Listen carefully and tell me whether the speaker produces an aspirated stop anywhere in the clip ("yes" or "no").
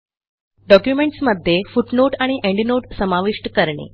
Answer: no